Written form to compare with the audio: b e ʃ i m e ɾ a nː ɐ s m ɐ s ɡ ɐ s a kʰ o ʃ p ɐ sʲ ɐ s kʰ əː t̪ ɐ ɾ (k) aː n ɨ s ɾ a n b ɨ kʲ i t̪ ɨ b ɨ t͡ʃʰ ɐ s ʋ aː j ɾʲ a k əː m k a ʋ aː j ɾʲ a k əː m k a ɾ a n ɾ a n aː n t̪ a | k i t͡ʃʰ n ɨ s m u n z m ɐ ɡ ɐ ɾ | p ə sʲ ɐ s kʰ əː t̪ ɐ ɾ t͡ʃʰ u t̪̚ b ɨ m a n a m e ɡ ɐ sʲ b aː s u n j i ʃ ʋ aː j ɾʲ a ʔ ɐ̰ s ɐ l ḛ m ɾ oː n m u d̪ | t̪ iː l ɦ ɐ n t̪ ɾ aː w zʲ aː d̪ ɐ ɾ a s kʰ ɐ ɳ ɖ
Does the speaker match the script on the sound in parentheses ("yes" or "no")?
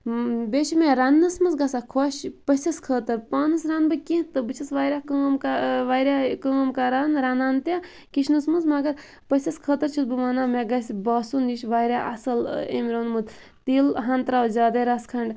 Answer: no